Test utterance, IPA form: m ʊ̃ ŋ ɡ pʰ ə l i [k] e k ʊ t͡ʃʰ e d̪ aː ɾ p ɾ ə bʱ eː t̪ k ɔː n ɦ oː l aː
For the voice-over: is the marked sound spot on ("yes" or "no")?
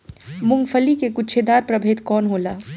yes